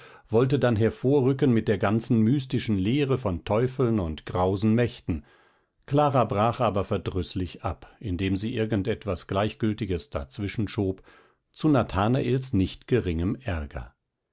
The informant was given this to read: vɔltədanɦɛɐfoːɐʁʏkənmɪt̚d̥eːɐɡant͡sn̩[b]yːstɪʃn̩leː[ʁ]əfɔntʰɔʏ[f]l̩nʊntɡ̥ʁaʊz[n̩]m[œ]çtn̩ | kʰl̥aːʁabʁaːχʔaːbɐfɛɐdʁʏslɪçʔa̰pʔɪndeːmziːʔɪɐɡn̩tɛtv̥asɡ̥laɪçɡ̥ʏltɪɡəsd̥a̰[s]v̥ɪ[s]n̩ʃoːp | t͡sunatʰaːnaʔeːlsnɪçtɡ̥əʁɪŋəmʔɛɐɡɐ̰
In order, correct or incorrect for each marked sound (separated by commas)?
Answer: incorrect, correct, correct, correct, incorrect, incorrect, incorrect